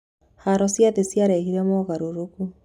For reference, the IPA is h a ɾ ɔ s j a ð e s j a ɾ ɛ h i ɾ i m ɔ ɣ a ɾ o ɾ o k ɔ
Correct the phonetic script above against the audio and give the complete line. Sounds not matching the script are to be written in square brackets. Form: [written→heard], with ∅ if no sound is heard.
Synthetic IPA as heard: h a ɾ ɔ s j a ð e s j a ɾ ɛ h i ɾ [i→ɛ] m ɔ ɣ a ɾ o ɾ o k [ɔ→u]